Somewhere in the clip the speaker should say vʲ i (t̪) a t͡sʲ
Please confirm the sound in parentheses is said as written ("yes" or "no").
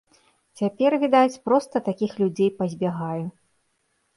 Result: no